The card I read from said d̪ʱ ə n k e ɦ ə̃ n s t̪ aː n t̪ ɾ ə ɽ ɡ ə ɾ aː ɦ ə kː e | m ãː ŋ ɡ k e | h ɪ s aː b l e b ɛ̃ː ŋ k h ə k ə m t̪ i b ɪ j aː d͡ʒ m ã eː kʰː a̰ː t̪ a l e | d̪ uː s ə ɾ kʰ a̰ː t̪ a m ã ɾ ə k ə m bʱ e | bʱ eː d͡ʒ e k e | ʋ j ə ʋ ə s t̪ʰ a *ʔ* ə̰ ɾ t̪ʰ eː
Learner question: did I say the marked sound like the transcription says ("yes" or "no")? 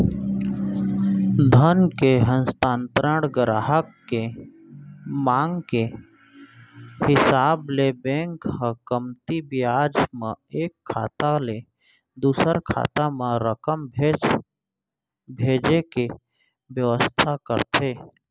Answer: no